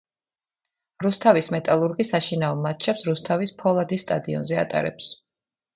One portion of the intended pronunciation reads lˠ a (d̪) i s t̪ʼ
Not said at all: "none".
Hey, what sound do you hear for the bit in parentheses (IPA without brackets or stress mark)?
d̪